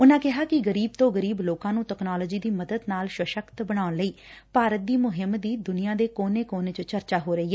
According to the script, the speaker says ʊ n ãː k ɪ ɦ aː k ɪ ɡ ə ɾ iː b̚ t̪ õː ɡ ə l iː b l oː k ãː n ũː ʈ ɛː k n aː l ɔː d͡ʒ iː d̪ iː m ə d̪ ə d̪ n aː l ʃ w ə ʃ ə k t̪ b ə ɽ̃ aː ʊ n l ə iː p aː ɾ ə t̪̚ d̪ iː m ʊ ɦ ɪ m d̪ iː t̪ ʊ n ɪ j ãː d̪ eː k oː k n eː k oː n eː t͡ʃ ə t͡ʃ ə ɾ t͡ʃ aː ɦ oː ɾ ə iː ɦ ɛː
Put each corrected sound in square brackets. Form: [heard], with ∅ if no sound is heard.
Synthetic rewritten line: ʊ n ãː k ɪ ɦ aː k ɪ ɡ ə ɾ iː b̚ t̪ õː ɡ ə [ɾ] iː b l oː k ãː n ũː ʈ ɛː k n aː l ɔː d͡ʒ iː d̪ iː m ə d̪ ə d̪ n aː l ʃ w ə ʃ ə k t̪ b ə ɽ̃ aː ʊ n l ə iː p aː ɾ ə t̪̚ d̪ iː m ʊ ɦ ɪ m d̪ iː [d̪] ʊ n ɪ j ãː d̪ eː k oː [∅] n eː k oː n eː t͡ʃ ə t͡ʃ ə ɾ t͡ʃ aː ɦ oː ɾ ə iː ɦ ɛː

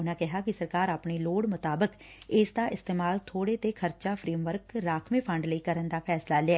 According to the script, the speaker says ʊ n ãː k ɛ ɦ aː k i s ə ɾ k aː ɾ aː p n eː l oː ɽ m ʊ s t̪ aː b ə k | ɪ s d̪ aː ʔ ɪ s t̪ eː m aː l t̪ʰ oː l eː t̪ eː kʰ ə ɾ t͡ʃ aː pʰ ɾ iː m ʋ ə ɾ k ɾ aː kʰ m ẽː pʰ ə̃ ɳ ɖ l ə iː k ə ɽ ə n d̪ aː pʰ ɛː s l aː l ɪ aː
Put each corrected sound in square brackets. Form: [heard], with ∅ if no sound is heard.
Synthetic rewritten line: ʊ n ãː k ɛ ɦ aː k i s ə ɾ k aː ɾ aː p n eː l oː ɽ m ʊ [∅] t̪ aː b ə k | ɪ s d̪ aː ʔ ɪ s t̪ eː m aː l t̪ʰ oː [ɽ] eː t̪ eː kʰ ə ɾ t͡ʃ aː pʰ ɾ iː m ʋ ə ɾ k ɾ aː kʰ m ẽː pʰ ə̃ ɳ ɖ l ə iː k ə [ɾ] ə n d̪ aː pʰ ɛː s l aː l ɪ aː

